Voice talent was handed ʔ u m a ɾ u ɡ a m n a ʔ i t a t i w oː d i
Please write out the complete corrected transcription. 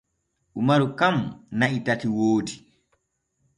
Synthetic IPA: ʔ u m a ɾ u k a m n a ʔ i t a t i w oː d i